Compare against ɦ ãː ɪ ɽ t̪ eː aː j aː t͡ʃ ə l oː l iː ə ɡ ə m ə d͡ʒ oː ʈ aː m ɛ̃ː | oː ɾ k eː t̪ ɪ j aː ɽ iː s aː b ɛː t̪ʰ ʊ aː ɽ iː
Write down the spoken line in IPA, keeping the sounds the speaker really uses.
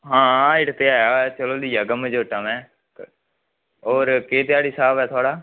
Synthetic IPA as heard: ɦ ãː ɪ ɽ t̪ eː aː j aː t͡ʃ ə l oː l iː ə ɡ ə m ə d͡ʒ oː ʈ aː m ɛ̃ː | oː ɾ k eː t̪ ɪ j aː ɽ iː s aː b ɛː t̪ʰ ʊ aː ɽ aː

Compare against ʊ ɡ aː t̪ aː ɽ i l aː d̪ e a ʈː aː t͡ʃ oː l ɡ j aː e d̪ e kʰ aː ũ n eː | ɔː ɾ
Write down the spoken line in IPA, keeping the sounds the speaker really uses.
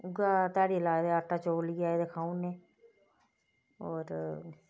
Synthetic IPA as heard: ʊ ɡ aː t̪ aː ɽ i l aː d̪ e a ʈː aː t͡ʃ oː l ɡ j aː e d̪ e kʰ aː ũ n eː | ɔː ɾ

